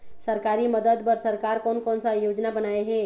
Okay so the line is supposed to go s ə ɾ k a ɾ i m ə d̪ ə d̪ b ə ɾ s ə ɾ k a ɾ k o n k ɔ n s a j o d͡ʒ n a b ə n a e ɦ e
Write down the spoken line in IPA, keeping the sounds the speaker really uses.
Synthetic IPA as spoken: s ə ɾ k a ɾ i m ə d̪ ə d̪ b ə ɾ s ə ɾ k a ɾ k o n k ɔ n s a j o d͡ʒ n a b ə n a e ɦ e

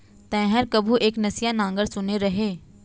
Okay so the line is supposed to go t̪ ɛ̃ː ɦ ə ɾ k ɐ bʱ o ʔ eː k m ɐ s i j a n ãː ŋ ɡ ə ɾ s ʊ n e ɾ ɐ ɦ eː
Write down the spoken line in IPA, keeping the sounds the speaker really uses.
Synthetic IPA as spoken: t̪ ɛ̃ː ɦ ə ɾ k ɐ bʱ u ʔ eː k n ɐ s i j a n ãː ŋ ɡ ə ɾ s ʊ n e ɾ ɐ ɦ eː

